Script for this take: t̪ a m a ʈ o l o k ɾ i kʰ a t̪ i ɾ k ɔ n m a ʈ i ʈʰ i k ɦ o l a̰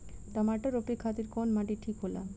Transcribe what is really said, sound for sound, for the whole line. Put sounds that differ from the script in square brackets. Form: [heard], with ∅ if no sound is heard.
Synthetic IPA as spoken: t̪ a m a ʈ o [ɾ] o [p] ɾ i kʰ a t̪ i ɾ k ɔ n m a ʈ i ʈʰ i k ɦ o l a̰